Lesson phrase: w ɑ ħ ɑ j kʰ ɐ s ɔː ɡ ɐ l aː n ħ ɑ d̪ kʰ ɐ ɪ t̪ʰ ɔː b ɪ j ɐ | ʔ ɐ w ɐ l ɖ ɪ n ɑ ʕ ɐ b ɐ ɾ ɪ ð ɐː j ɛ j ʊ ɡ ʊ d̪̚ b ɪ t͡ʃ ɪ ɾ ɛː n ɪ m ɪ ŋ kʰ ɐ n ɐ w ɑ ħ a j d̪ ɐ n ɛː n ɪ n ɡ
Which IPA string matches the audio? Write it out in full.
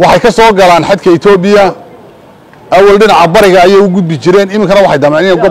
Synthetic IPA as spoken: w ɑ ħ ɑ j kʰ ɐ s ɔː ɡ ɐ l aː n ħ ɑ d̪ kʰ ɐ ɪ t̪ʰ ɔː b ɪ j ɐ | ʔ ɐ w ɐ l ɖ ɪ n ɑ ʕ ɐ b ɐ ɾ ɪ ɣ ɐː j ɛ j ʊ ɡ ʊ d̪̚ b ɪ t͡ʃ ɪ ɾ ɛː n ɪ m ɪ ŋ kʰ ɐ n ɐ w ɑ ħ ɑ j d̪ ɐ m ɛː n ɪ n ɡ

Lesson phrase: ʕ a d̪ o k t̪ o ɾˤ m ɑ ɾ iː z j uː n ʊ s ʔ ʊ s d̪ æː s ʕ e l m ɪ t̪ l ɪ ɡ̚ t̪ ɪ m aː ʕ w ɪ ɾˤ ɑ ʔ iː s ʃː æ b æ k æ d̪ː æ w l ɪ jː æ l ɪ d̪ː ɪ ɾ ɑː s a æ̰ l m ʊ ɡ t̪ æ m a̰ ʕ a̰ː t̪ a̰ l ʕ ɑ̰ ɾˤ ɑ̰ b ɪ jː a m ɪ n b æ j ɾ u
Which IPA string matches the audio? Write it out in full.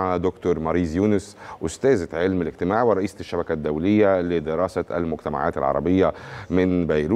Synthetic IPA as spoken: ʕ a d̪ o k t̪ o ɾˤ m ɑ ɾ iː z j uː n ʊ s ʔ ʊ s t̪ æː z ʕ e l m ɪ l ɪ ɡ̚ t̪ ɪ m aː ʕ w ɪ ɾˤ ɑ ʔ iː s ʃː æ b æ k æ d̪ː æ w l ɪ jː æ l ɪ d̪ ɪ ɾ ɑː s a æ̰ l m ʊ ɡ t̪ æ m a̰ ʕ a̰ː t̪ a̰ l ʕ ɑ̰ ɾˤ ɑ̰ b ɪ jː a m ɪ n b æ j ɾ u

